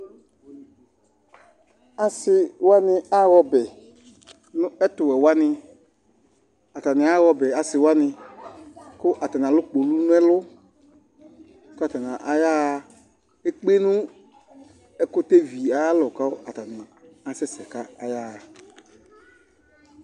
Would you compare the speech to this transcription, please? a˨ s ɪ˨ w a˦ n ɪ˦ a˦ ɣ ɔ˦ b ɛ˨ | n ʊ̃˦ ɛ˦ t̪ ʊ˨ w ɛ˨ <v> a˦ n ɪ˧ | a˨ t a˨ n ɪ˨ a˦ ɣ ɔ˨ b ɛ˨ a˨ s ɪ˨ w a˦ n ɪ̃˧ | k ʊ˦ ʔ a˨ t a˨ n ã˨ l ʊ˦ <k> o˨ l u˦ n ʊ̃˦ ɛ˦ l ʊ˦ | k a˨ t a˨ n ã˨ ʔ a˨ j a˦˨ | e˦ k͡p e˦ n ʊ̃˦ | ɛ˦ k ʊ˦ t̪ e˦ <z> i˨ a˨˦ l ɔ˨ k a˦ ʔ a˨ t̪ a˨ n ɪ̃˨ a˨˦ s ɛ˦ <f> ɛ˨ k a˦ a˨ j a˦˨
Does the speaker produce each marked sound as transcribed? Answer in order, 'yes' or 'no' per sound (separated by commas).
no, no, no, no